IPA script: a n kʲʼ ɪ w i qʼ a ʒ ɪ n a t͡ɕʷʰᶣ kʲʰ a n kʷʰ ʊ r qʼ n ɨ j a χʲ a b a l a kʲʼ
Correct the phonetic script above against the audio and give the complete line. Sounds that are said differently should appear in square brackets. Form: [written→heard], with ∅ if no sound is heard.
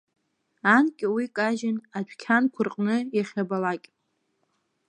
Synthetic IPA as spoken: a n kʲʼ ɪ w i [qʼ→kʼ] a ʒ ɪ n a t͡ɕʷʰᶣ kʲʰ a n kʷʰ ʊ r qʼ n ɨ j a χʲ a b a l a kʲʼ